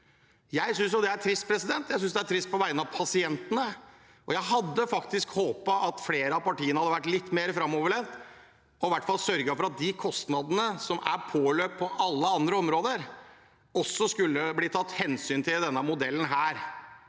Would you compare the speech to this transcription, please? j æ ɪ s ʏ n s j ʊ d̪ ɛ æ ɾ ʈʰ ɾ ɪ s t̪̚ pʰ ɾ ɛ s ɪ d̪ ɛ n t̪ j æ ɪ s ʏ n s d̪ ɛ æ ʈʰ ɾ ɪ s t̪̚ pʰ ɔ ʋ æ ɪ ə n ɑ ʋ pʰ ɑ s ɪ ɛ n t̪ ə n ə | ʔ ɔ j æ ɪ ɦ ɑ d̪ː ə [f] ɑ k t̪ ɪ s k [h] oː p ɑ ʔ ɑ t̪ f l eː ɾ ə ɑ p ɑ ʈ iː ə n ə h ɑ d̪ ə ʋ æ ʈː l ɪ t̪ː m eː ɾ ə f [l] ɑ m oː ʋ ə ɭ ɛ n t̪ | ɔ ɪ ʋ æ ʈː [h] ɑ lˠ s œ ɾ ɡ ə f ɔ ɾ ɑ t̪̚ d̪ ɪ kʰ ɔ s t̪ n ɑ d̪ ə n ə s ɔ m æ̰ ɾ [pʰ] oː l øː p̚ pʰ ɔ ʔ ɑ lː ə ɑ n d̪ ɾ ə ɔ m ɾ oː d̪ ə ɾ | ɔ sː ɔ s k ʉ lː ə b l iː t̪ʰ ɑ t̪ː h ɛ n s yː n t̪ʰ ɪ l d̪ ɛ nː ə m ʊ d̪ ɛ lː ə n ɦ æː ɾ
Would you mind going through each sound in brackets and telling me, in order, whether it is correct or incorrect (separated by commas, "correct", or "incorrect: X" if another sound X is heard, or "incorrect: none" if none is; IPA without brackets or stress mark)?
correct, correct, incorrect: ɾ, incorrect: f, correct